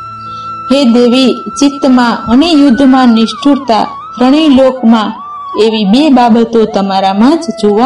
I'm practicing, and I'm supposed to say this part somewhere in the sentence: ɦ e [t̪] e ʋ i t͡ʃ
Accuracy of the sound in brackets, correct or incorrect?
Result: incorrect